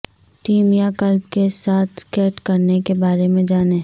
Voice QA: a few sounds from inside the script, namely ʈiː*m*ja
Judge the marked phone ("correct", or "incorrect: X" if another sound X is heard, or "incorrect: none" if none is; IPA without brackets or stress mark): correct